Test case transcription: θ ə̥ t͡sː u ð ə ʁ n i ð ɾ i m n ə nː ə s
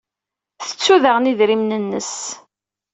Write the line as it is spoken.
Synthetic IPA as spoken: θ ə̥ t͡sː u ð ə ʁ n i ð ɾ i m n ə nː ə s